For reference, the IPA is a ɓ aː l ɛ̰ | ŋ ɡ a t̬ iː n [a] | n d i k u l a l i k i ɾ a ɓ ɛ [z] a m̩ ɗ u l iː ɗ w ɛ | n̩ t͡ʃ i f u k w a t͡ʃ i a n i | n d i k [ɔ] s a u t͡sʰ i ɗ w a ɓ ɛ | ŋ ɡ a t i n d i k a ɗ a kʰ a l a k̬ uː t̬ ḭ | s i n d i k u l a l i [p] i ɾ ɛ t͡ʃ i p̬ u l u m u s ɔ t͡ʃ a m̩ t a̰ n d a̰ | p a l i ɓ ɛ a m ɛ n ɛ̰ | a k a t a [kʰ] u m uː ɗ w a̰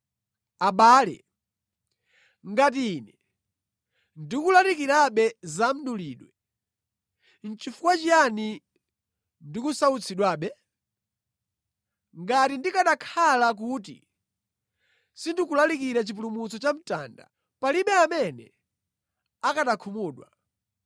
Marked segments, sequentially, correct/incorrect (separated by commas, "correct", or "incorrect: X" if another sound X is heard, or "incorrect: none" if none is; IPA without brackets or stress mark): incorrect: ɛ, correct, incorrect: u, incorrect: k, correct